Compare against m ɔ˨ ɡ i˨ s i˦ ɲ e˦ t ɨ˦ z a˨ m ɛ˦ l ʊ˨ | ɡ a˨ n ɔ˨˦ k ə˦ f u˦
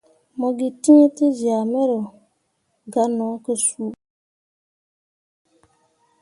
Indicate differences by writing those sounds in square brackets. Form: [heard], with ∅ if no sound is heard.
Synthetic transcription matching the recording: m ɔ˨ ɡ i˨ [t] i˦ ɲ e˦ t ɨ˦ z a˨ m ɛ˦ [ɾ] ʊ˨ | ɡ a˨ n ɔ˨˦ k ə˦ [s] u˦